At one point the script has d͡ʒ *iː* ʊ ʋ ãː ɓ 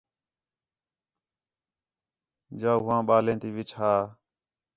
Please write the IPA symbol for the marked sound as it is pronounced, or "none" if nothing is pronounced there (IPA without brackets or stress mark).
aː